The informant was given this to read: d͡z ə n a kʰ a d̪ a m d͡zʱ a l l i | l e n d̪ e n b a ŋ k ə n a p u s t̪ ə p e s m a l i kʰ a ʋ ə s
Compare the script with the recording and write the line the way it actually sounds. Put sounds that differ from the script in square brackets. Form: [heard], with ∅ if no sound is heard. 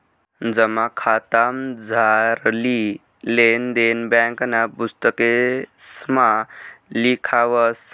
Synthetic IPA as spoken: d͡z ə [m] a kʰ a [t̪] a m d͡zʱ a [ɾ] l i | l e n d̪ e n b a ŋ k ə n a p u s t̪ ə [k] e s m a l i kʰ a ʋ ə s